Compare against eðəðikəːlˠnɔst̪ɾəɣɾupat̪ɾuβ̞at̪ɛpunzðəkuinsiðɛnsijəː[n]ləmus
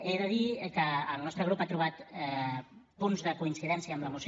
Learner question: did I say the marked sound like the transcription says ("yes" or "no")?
no